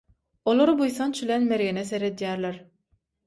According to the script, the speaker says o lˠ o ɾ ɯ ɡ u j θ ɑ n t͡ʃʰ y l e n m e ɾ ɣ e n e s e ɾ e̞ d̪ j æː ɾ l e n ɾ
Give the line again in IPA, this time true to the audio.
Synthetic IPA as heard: o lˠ o ɾ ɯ b u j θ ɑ n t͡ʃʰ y l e n m e ɾ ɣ e n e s e ɾ e̞ d̪ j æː ɾ l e ɾ